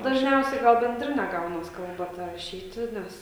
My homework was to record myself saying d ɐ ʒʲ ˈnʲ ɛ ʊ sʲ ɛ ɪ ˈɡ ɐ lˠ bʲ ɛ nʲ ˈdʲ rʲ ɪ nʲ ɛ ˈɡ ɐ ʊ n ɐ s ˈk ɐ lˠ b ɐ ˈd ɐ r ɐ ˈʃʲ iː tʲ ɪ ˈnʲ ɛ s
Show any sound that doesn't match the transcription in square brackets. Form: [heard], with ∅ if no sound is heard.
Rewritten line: d ɐ ʒʲ ˈnʲ ɛ ʊ sʲ ɛ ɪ ˈɡ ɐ lˠ bʲ ɛ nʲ ˈdʲ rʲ ɪ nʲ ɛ ˈɡ ɐ ʊ n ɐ s ˈk ɐ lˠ b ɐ [ˈt] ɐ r ɐ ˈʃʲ iː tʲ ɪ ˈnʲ ɛ s